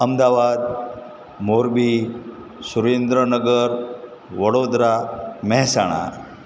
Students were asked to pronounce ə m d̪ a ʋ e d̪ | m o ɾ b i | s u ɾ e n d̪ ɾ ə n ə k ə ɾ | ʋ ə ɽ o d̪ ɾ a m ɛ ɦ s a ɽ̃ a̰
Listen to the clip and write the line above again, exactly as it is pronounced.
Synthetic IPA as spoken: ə m d̪ a ʋ a d̪ | m o ɾ b i | s u ɾ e n d̪ ɾ ə n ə ɡ ə ɾ | ʋ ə ɽ o d̪ ɾ a m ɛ ɦ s a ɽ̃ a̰